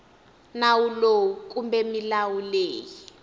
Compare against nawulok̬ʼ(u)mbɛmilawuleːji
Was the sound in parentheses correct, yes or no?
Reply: yes